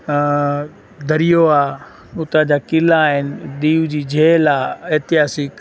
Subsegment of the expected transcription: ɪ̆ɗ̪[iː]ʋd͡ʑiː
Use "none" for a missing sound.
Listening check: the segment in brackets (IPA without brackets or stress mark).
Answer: iː